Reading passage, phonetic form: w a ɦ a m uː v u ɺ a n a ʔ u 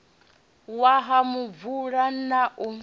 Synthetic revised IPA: w a ɦ a m u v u ɺ a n a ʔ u